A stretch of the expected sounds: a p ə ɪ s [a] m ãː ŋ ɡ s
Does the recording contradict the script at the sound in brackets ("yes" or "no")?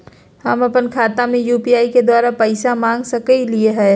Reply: no